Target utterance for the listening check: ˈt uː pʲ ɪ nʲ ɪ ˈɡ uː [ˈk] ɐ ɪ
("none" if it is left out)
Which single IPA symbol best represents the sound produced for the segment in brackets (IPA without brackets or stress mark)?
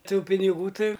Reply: t